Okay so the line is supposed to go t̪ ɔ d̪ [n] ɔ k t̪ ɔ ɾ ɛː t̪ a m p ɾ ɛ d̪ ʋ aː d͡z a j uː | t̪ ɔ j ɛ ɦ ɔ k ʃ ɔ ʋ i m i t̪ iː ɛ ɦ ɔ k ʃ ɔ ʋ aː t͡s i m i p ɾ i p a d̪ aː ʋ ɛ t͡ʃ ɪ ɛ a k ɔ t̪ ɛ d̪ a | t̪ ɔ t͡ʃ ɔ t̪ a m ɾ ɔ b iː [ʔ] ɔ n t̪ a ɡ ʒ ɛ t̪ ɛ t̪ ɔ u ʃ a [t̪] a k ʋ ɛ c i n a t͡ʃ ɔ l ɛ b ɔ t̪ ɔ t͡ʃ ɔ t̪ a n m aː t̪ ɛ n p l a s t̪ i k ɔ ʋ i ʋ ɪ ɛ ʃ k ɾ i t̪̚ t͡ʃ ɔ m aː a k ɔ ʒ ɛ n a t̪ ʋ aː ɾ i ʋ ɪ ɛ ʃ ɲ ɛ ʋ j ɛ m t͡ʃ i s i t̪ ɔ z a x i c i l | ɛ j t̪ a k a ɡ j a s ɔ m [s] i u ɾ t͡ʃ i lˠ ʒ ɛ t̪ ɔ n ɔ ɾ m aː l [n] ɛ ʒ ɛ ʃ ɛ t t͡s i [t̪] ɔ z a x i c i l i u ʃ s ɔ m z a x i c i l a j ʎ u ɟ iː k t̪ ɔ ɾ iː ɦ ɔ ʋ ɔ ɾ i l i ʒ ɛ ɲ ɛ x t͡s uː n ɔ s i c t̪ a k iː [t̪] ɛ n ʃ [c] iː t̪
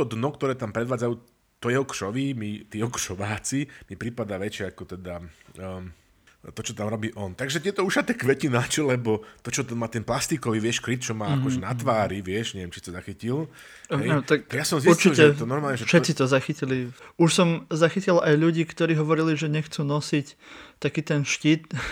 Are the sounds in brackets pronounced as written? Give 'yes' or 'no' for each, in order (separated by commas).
yes, yes, yes, no, no, yes, yes, yes